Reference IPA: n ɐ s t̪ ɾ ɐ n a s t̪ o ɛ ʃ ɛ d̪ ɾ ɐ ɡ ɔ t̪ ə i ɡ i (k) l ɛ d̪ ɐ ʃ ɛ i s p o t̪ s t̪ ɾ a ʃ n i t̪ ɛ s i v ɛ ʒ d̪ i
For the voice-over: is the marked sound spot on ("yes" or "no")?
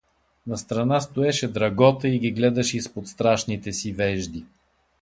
no